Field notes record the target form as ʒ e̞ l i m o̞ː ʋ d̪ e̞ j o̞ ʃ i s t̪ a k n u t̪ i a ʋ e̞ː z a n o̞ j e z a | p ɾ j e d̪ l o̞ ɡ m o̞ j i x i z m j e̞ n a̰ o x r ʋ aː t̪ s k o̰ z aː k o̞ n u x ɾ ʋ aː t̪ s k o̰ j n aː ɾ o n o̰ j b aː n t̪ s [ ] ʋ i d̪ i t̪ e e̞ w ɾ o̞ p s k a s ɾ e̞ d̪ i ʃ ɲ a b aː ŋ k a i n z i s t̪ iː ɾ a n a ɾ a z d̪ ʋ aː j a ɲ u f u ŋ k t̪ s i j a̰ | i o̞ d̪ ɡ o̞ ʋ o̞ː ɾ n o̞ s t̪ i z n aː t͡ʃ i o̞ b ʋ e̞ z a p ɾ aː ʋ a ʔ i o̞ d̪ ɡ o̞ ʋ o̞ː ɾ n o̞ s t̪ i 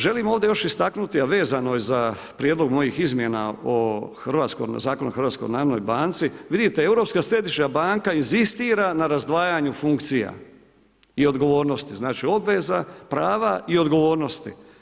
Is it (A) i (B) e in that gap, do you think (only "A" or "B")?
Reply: A